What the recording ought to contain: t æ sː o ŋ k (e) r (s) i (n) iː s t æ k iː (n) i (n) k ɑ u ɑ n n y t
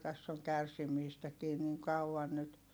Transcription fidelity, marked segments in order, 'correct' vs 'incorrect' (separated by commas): incorrect, correct, incorrect, correct, incorrect